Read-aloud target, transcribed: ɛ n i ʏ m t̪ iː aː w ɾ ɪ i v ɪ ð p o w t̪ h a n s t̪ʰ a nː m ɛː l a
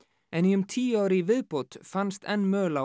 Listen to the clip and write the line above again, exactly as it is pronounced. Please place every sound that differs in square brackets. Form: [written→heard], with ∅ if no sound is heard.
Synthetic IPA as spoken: ɛ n i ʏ m [t̪→t̪ʰ] iː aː w ɾ ɪ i v ɪ ð p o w t̪ [h→f] a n s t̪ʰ [a→ɛ] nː m [ɛː→œː] l a

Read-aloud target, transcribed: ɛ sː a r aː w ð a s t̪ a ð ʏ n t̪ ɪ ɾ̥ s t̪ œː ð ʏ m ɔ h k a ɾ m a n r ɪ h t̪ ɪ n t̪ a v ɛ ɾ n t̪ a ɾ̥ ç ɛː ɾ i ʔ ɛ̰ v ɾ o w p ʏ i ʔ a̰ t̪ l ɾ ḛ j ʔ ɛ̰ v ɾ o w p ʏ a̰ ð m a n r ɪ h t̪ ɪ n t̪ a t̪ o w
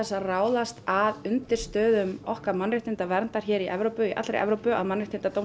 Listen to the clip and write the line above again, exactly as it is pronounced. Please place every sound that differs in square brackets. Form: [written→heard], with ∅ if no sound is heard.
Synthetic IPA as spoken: ɛ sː a r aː w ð a s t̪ a ð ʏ n t̪ ɪ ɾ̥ s t̪ œː ð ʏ m ɔ h k a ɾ m a n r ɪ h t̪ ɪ n t̪ a v ɛ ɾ n t̪ a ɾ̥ ç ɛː ɾ i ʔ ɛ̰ v ɾ o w p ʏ i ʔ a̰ t̪ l ɾ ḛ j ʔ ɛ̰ v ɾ o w p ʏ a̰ ð m a n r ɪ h t̪ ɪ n t̪ a t̪ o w

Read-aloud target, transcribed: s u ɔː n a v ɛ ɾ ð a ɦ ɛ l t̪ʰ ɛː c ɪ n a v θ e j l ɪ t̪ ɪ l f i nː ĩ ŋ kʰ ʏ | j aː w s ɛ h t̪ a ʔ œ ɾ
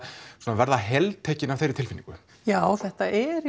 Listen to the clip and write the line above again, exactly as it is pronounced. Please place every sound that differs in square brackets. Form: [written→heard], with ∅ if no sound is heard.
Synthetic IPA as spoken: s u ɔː n a v ɛ ɾ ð a ɦ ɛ l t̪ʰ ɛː c ɪ n a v θ e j [l→ɾ] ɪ t̪ ɪ l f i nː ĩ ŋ [kʰ→k] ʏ | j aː w [s→θ] ɛ h t̪ a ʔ [œ→ɛ] ɾ

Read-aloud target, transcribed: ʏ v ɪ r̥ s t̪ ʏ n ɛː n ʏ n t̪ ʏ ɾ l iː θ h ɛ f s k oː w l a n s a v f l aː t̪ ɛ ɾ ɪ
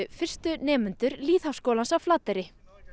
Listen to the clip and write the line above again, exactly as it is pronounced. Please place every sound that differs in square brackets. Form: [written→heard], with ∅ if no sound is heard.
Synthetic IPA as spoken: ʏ [v→f] ɪ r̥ s t̪ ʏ n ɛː [n→m] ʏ n t̪ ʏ ɾ l iː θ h [ɛ→a] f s k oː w l a n s a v f l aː t̪ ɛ ɾ ɪ

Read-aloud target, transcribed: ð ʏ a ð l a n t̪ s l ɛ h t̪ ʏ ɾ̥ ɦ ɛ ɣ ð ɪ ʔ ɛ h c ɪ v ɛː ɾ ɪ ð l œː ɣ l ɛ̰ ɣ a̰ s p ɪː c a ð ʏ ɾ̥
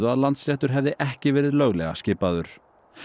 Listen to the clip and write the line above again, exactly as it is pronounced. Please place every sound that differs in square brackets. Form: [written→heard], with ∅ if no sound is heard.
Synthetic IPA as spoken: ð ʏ a ð l a n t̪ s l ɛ h t̪ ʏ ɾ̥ ɦ ɛ [ɣ→v] ð ɪ ʔ ɛ h c ɪ v ɛː ɾ ɪ ð l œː ɣ l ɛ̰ ɣ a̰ s [p→c] ɪː [c→p] a ð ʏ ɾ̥

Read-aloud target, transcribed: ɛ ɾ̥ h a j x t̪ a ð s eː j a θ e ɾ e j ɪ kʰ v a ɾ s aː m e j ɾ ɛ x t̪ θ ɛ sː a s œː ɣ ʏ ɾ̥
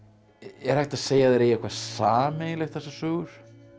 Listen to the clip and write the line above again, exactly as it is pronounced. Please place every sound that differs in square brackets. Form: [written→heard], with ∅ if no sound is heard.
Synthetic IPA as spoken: ɛ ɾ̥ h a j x t̪ a ð s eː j a [θ→ð] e ɾ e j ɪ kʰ v a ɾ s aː m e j [ɾ→l] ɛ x t̪ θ ɛ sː a s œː ɣ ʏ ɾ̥

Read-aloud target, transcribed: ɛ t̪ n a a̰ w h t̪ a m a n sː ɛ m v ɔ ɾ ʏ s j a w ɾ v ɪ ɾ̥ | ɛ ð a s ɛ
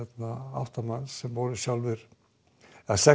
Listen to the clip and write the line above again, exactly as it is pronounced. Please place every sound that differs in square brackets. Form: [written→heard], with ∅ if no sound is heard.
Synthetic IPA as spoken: ɛ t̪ n a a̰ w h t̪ a m a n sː ɛ m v ɔ ɾ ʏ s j a w [ɾ→l] v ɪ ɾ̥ | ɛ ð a s ɛ

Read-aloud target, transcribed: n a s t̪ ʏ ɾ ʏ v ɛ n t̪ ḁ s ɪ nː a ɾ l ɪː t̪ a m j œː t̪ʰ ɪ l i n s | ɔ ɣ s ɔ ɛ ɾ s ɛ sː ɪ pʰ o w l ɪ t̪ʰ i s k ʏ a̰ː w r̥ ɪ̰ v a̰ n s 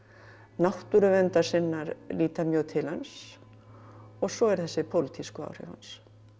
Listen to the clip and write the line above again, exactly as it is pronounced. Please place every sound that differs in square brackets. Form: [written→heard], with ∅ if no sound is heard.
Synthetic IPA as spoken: n a [s→h] t̪ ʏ ɾ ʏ v ɛ n t̪ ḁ s ɪ nː a ɾ l [ɪː→iː] t̪ a m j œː t̪ʰ ɪ l [i→a] n s | ɔ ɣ s ɔ ɛ ɾ [s→θ] ɛ sː ɪ pʰ o w l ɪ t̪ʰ i s k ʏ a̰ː w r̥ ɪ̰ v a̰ n s

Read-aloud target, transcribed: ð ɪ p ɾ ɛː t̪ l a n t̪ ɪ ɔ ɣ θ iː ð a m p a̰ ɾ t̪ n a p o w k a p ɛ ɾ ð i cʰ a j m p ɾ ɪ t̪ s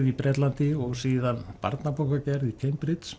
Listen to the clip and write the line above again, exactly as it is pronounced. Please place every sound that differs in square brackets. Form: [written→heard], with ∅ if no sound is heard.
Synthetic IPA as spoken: ð [ɪ→i] p ɾ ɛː t̪ l a n t̪ ɪ ɔ ɣ [θ→s] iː ð a [m→n] p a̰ ɾ t̪ n a p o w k a [p→c] ɛ ɾ ð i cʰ [a→e] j m p ɾ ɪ t̪ s

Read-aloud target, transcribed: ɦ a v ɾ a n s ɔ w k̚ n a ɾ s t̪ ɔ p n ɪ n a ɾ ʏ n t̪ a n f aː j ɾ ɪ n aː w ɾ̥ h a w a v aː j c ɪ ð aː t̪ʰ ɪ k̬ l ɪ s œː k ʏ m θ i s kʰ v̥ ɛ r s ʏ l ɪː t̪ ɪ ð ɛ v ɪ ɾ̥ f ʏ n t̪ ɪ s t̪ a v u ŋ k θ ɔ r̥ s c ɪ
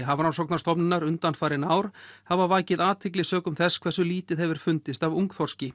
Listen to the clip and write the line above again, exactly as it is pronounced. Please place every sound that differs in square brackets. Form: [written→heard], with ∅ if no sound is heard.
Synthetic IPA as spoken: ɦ a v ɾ a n s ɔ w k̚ n a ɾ s t̪ ɔ p n ɪ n a ɾ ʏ n t̪ a n f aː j ɾ ɪ n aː w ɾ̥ h a [w→v] a v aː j c ɪ ð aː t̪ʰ ɪ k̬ l ɪ s œː k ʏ m θ [i→ɛ] s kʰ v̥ ɛ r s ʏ l [ɪː→iː] t̪ ɪ ð ɛ v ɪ ɾ̥ f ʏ n t̪ ɪ s t̪ a v u ŋ k θ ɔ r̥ s c ɪ

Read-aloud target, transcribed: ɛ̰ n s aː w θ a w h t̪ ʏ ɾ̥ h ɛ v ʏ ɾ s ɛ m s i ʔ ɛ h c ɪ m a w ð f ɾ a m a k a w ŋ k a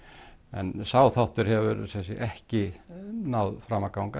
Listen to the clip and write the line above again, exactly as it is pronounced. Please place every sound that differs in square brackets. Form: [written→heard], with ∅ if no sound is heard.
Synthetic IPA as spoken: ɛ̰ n s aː w θ a w h t̪ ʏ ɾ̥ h ɛ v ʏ ɾ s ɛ [m→∅] s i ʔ ɛ h c ɪ [m→n] a w ð f ɾ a m a k a w ŋ k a

